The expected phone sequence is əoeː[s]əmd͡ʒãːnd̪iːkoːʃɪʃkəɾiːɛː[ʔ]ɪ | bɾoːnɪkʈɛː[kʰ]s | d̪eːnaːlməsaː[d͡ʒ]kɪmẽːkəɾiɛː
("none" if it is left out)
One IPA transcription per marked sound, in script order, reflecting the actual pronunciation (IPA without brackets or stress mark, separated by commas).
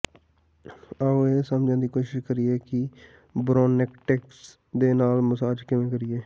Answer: s, k, k, d͡ʒ